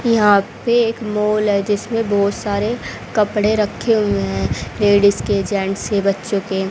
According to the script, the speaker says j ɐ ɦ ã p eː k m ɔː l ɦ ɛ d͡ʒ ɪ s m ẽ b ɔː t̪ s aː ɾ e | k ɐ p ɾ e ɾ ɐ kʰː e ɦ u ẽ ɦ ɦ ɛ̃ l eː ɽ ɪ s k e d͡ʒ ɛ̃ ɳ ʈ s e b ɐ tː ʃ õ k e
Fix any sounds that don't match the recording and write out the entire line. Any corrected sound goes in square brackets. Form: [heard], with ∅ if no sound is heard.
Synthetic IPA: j ɐ ɦ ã p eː k m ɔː l ɦ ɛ d͡ʒ ɪ s m ẽ b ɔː t̪ s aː ɾ e | k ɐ p [ɽ] e ɾ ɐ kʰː e ɦ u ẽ ɦ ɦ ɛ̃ l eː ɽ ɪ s k e d͡ʒ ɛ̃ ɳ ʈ s e b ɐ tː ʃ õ k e

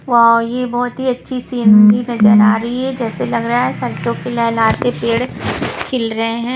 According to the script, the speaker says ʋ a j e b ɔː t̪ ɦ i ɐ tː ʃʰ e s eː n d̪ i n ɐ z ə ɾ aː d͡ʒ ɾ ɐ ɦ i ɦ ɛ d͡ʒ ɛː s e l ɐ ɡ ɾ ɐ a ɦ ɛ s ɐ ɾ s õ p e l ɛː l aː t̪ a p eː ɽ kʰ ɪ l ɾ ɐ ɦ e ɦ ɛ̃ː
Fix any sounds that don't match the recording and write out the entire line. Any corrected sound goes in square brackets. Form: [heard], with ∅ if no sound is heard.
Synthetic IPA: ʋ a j e b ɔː t̪ ɦ i ɐ tː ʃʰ [i] s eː n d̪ i n ɐ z ə ɾ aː [∅] ɾ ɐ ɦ i ɦ ɛ d͡ʒ ɛː s e l ɐ ɡ ɾ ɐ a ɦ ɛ s ɐ ɾ s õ [k] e l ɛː l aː t̪ [e] p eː ɽ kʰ ɪ l ɾ ɐ ɦ e ɦ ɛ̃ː

